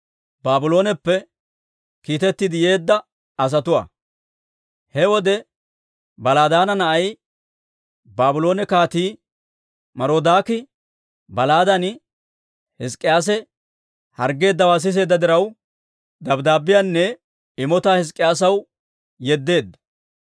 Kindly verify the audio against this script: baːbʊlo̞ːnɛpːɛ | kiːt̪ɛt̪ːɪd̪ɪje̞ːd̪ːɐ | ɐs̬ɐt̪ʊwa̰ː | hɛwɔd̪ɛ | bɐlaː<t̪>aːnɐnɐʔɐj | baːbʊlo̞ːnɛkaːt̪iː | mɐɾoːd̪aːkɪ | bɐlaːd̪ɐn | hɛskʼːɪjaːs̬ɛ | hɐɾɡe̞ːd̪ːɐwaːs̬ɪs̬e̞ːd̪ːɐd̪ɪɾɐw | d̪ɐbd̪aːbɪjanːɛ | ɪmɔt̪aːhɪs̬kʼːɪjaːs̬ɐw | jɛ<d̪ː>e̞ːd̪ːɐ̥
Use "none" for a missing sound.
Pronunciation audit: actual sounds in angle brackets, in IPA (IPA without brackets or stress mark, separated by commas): d̪, d̪ː